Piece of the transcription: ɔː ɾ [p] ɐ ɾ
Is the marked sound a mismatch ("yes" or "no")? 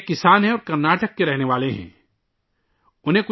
yes